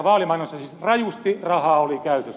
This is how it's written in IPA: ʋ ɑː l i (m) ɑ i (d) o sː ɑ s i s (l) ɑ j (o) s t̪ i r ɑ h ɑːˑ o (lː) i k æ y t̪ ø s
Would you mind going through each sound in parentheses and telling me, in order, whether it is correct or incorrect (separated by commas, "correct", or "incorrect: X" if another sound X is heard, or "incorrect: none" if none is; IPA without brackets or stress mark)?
correct, incorrect: n, incorrect: r, incorrect: u, incorrect: l